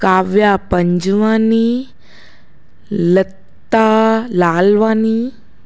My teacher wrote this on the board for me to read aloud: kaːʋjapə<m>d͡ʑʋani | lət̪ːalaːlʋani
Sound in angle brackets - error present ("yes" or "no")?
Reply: yes